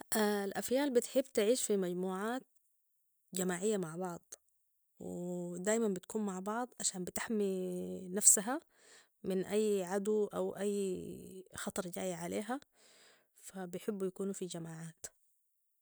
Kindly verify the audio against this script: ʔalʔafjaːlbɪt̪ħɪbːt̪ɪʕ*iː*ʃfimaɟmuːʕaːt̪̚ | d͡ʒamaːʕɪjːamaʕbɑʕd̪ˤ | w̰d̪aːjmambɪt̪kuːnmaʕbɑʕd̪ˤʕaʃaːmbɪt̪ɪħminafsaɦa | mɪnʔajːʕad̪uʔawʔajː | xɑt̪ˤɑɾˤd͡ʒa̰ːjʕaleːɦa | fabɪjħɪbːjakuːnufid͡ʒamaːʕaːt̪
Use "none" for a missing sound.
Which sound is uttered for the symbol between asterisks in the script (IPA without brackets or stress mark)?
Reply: iː